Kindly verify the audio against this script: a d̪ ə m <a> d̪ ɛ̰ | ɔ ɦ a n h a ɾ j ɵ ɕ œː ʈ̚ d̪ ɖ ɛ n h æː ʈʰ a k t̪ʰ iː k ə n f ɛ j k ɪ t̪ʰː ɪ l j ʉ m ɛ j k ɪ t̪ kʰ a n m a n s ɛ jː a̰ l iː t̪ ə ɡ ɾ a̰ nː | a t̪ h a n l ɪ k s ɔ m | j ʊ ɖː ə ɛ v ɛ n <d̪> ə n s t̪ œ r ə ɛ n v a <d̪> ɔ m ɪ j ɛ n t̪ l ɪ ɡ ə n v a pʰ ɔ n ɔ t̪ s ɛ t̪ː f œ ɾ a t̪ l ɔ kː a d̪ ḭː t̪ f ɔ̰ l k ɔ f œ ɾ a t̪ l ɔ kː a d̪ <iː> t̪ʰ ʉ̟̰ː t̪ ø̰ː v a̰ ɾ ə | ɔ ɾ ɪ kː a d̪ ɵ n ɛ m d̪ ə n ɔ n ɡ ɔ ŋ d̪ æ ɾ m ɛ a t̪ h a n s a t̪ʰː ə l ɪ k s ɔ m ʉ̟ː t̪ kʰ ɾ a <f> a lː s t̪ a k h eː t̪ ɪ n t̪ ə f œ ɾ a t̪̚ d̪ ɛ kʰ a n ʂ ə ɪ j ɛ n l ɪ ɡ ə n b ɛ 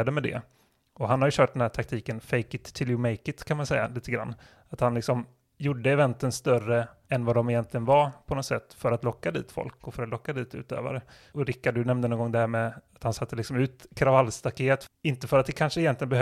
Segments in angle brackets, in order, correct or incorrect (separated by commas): incorrect, incorrect, correct, correct, incorrect